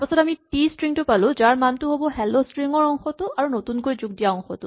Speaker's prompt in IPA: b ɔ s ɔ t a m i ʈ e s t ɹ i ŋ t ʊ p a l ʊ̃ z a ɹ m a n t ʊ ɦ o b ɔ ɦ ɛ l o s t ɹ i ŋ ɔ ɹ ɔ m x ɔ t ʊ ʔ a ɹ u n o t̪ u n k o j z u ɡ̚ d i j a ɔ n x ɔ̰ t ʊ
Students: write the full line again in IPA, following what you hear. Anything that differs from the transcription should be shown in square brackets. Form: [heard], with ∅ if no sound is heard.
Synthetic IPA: [p] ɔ s ɔ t a m i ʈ [i] s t ɹ i ŋ t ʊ p a l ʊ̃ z a ɹ m a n t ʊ ɦ o b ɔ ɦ ɛ l o s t ɹ i ŋ ɔ ɹ ɔ [ŋ] x ɔ t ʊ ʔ a ɹ u n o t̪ u n k o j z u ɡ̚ d i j a ɔ [ŋ] x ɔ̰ t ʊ